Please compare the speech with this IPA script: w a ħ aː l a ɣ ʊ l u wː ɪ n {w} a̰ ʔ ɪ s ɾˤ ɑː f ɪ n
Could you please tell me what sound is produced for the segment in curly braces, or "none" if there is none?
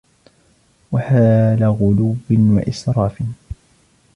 w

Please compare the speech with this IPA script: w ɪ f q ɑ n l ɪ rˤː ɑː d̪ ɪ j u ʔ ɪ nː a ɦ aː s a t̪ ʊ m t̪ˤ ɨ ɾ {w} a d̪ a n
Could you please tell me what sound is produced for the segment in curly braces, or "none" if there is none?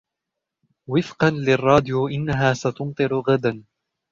ɣ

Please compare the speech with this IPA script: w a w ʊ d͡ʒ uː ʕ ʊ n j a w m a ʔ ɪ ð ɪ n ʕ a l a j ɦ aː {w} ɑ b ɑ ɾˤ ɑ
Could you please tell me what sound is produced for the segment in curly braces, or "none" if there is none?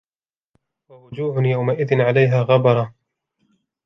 ɣ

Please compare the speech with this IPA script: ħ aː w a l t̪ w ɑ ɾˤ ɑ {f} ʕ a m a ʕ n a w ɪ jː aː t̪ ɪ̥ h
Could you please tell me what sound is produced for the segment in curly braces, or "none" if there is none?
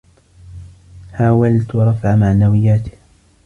f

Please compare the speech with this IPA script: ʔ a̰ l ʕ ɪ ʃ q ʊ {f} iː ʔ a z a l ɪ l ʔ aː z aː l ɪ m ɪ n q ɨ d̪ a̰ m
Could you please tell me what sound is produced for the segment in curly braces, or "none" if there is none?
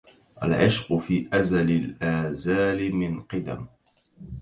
f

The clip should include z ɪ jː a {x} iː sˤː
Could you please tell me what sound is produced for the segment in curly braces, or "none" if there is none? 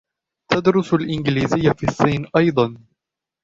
f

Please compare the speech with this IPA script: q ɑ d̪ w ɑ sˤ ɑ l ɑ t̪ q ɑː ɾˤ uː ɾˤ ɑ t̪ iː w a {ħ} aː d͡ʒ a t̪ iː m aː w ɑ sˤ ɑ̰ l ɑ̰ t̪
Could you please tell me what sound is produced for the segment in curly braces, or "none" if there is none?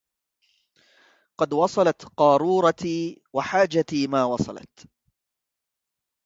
ħ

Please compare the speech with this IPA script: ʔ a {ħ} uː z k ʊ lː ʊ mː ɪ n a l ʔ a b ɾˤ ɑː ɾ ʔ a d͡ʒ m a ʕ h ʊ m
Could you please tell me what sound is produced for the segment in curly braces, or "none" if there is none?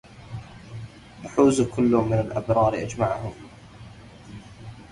ħ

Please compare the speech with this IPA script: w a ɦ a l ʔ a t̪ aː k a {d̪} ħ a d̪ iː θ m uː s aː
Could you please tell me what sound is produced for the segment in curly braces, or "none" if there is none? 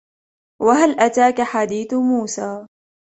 none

